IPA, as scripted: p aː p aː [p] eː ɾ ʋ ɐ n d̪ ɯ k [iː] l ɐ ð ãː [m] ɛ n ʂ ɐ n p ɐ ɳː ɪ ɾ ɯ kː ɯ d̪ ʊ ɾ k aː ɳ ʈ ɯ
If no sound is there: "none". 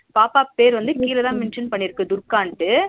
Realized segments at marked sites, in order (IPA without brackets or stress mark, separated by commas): p, iː, m